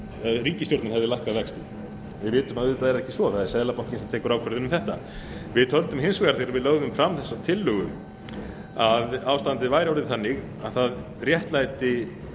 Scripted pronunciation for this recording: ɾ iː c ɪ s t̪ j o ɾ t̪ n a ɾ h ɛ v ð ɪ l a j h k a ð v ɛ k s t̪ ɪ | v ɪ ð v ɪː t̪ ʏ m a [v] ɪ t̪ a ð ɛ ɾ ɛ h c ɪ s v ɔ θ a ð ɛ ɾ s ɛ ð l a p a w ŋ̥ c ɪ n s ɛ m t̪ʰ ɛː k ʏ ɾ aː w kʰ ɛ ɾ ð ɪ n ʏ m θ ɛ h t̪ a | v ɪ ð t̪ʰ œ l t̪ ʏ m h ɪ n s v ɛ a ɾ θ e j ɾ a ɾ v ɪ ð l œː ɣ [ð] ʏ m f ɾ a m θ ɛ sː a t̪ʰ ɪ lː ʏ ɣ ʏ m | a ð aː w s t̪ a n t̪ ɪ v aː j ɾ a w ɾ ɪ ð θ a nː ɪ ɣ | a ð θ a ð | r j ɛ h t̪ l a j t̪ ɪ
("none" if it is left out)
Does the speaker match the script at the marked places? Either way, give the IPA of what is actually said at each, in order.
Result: ð, ð

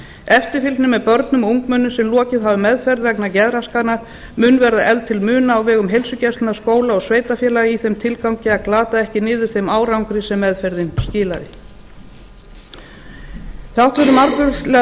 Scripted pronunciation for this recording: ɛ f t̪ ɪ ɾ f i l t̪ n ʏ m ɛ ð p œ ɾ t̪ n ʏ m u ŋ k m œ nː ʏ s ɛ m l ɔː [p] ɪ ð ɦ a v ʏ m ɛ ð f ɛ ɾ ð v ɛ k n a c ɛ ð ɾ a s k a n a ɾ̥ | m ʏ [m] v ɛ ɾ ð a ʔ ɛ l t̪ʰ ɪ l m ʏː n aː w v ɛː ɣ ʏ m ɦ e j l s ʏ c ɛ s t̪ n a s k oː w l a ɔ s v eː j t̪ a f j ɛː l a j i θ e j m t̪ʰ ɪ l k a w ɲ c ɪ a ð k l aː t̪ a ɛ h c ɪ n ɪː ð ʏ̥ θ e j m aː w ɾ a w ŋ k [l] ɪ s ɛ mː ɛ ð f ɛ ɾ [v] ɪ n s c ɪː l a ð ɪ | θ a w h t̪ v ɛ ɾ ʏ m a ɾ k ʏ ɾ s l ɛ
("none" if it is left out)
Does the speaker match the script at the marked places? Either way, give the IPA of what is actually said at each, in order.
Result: c, n, ɾ, ð

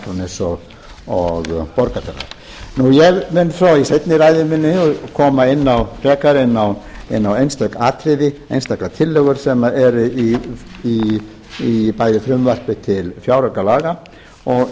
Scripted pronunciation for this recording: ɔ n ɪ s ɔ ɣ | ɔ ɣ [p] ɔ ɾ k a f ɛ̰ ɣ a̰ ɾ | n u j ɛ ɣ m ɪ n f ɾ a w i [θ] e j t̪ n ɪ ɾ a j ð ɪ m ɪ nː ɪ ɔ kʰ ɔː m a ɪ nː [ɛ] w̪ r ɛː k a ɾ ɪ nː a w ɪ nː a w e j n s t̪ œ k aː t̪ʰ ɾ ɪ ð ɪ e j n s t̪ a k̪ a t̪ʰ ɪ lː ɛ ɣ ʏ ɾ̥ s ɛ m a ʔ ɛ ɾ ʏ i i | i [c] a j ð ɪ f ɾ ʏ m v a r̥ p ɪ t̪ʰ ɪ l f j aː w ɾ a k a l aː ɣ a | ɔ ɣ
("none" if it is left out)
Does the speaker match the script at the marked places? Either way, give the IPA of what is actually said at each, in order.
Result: p, s, a, p

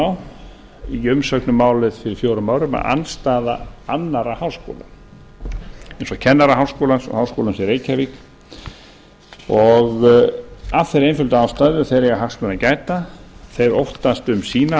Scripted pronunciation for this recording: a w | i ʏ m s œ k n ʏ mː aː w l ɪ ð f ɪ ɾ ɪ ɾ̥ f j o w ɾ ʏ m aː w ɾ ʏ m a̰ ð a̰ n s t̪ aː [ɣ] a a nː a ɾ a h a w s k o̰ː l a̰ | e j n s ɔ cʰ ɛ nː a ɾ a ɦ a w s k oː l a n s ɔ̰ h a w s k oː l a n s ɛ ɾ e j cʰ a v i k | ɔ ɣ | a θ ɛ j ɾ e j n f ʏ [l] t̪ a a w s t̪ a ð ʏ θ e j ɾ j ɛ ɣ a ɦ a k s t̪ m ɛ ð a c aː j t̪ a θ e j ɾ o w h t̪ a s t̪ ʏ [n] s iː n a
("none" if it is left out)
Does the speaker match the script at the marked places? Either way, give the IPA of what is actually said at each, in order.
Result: ð, l, m

